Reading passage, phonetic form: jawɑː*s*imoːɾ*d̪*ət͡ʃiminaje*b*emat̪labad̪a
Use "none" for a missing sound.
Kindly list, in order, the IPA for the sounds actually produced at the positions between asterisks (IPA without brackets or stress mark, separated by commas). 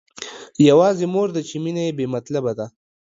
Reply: z, d̪, b